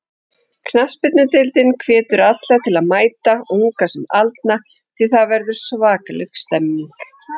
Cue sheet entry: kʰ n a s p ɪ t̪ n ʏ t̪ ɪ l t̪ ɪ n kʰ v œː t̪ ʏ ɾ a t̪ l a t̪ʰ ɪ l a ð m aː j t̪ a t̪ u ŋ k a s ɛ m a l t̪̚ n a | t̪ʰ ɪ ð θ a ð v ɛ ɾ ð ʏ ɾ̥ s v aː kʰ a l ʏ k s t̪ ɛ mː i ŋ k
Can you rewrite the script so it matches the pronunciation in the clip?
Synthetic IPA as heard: kʰ n a s p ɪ t̪ n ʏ t̪ ɪ l t̪ ɪ n kʰ v ɛː t̪ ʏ ɾ a t̪ l a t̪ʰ ɪ l a ð m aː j t̪ a u ŋ k a s ɛ m a l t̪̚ n a | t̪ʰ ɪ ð θ a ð v ɛ ɾ ð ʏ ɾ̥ s v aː k a l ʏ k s t̪ ɛ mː i ŋ k